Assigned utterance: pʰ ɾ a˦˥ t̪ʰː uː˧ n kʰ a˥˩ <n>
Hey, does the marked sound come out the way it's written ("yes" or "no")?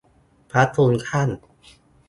yes